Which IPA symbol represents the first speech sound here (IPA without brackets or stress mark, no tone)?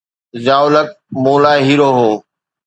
z